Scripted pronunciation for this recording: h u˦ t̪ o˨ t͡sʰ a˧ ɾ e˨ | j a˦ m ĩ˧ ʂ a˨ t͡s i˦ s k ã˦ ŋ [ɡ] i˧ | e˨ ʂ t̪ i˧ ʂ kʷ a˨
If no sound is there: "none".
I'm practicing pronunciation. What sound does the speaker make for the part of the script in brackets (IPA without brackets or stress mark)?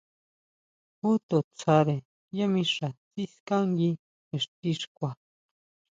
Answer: ɡ